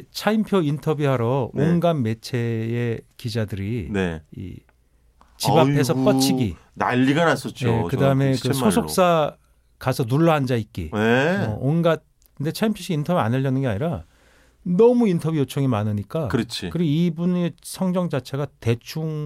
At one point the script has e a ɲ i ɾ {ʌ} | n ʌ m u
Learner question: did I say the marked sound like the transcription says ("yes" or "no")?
no